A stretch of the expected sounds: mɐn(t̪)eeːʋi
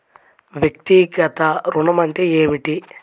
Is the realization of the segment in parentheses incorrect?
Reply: no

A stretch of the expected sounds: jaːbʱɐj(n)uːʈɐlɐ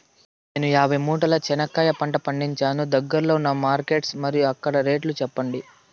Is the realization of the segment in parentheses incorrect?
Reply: yes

